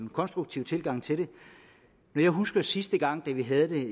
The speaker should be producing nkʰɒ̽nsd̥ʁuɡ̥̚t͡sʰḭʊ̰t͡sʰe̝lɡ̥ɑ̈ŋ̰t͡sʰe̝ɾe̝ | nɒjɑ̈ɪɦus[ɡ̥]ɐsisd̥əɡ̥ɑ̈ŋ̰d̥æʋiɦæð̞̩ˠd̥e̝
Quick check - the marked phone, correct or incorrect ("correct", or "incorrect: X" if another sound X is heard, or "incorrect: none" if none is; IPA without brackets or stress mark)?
correct